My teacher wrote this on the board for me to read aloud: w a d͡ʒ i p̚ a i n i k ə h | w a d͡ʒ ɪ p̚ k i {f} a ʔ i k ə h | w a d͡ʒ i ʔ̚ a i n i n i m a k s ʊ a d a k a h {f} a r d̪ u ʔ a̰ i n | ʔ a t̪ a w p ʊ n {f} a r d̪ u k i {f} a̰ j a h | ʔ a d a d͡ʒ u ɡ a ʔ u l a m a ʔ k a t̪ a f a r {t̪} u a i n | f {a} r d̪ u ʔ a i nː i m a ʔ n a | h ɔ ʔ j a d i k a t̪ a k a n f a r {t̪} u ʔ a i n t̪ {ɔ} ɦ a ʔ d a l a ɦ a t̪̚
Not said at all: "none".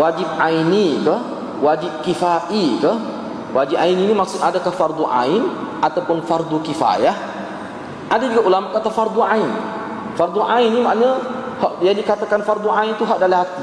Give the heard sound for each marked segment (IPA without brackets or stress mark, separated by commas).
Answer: f, f, f, f, d̪, a, d̪, u